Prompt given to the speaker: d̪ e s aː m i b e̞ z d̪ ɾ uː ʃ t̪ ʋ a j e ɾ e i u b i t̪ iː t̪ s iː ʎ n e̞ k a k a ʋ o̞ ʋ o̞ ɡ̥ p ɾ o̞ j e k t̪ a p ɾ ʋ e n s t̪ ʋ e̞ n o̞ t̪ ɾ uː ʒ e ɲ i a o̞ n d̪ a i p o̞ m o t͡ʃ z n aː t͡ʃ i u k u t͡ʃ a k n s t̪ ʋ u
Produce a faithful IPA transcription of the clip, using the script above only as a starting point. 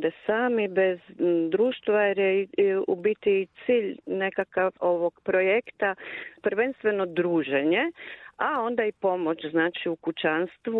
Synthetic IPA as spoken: d̪ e s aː m i b e̞ z d̪ ɾ uː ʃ t̪ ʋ a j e ɾ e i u b i t̪ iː t̪ s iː ʎ n e̞ k a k a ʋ o̞ ʋ o̞ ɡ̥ p ɾ o̞ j e k t̪ a p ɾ ʋ e n s t̪ ʋ e̞ n o̞ d̪ ɾ uː ʒ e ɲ e a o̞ n d̪ a i p o̞ m o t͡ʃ z n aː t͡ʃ i u k u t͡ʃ a n s t̪ ʋ u